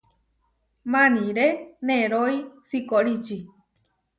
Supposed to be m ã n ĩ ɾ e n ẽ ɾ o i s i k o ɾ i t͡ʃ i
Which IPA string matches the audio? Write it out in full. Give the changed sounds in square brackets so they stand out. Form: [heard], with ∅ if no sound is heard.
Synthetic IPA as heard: m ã n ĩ ɾ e n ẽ ɾ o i s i k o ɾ i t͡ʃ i